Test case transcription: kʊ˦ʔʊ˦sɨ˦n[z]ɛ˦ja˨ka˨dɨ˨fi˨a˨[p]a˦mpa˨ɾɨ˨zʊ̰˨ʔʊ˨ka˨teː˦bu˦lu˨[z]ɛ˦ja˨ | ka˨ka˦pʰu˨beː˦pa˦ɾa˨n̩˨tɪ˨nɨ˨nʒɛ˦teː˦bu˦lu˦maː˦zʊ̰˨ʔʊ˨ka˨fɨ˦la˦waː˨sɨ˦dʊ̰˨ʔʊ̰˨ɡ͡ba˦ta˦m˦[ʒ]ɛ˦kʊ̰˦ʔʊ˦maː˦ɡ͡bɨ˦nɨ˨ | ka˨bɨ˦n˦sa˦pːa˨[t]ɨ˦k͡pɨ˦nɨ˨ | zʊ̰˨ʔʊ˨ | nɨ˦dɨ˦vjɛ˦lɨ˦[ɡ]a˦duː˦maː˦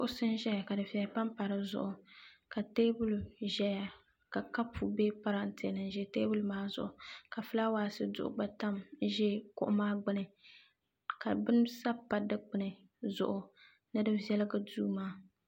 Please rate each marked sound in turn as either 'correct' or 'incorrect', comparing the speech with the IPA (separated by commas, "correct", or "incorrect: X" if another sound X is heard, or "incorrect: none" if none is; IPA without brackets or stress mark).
incorrect: ʒ, correct, incorrect: ʒ, correct, incorrect: d, correct